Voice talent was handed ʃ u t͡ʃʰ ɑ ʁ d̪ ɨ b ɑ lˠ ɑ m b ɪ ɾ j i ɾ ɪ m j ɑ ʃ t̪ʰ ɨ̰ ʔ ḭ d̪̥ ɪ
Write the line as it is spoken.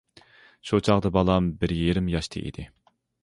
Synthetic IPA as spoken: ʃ u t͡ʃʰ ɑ ʁ d̪ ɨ b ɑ lˠ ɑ m b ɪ ɾ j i ɾ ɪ m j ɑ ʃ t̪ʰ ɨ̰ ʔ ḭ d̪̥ ɪ